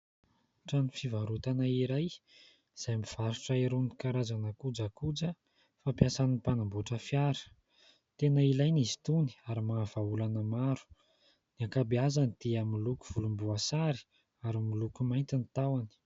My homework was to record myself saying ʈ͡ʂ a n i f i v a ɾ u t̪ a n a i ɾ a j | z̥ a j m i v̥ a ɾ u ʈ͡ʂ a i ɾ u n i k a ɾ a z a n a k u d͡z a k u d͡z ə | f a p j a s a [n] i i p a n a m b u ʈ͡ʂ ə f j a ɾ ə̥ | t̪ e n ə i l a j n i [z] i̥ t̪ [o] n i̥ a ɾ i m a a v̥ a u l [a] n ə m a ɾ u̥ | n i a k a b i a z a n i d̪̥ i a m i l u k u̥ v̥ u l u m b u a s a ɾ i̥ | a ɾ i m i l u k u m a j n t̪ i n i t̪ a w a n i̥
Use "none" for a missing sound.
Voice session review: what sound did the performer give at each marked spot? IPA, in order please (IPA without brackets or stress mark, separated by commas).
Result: n, z, u, a